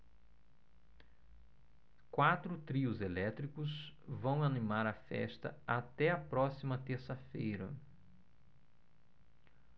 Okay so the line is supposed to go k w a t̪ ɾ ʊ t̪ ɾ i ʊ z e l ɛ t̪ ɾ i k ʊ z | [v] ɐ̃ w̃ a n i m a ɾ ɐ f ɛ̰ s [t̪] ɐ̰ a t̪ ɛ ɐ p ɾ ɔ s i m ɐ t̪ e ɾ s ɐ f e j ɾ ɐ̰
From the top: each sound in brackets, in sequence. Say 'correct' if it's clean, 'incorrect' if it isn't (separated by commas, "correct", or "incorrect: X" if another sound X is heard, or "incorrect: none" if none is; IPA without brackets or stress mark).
correct, correct